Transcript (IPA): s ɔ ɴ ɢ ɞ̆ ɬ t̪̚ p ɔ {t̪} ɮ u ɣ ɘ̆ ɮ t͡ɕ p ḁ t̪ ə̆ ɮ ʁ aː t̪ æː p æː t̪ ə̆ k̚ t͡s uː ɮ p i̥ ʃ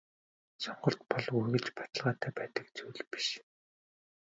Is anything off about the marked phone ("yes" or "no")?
yes